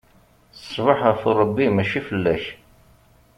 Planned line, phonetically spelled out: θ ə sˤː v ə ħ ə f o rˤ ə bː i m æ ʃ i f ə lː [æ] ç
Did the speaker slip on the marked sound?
no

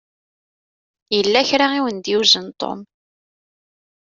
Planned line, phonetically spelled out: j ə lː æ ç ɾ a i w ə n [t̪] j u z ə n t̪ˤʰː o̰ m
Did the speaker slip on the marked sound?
yes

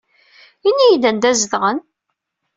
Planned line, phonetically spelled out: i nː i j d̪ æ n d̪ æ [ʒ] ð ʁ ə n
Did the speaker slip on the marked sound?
yes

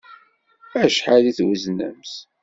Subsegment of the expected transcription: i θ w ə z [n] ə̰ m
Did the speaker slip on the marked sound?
no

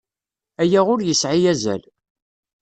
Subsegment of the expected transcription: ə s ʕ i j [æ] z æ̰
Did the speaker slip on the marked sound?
no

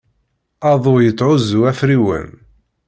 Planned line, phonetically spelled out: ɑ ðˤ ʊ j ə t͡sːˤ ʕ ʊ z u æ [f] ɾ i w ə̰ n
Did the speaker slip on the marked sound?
no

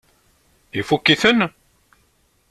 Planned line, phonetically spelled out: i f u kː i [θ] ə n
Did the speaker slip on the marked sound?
no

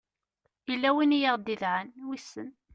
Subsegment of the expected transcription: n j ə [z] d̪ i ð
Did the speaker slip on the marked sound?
yes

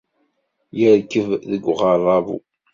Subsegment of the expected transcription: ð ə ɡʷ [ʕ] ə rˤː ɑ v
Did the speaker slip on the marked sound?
yes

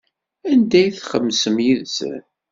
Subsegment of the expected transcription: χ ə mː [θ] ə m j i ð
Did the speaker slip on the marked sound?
yes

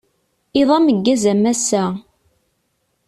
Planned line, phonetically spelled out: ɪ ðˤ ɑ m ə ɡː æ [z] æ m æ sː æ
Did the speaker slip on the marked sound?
no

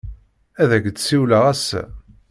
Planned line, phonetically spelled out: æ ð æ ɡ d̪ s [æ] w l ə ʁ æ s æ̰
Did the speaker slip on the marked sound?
yes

